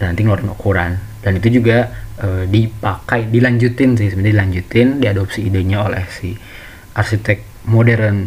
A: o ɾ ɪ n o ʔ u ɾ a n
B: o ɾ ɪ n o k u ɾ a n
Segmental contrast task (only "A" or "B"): B